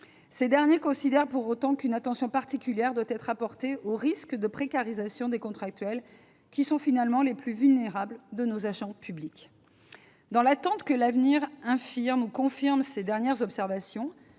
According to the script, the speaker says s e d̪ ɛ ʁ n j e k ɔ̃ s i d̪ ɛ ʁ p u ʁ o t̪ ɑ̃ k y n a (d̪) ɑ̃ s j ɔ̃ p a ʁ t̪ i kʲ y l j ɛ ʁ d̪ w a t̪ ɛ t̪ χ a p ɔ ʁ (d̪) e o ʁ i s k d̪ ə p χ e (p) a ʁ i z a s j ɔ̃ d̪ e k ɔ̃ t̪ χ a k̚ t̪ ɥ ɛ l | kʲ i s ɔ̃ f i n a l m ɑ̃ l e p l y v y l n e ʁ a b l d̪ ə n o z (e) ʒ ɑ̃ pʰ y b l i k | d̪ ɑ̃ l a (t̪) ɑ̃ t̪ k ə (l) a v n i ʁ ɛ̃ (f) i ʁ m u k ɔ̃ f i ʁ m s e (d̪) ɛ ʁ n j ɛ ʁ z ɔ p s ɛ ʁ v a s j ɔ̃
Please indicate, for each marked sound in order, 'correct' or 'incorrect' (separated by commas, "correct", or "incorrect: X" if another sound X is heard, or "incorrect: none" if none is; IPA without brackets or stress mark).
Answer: incorrect: t̪, incorrect: t̪, incorrect: k, incorrect: a, correct, correct, correct, correct